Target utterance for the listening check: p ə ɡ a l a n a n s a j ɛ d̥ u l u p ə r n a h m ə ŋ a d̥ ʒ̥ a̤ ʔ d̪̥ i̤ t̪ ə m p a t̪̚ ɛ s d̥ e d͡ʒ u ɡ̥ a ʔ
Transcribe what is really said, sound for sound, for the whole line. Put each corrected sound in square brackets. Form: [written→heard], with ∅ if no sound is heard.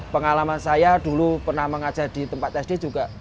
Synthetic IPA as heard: p ə [ɡ→ŋ] a l a [n→m] a n s a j [ɛ→a] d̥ u l u p ə r n a h m ə ŋ a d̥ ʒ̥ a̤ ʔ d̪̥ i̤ t̪ ə m p a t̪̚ ɛ s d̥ e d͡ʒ u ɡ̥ a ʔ